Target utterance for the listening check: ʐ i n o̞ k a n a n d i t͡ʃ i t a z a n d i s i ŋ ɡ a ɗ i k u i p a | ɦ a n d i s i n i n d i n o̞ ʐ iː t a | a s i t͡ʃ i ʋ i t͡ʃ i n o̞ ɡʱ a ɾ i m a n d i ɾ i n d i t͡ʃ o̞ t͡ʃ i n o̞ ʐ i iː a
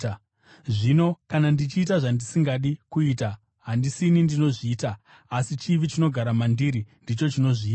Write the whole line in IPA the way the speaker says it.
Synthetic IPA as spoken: ʐ i n o̞ k a n a n d i t͡ʃ iː t a ʐ a n d i s i ŋ ɡ a ɗ i k u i t a | ɦ a n d i s i n i n d i n o̞ ʐ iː t a | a s i t͡ʃ i ʋ i t͡ʃ i n o̞ ɡʱ a ɾ a m a n d i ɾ i n d i t͡ʃ o̞ t͡ʃ i n o̞ ʐ i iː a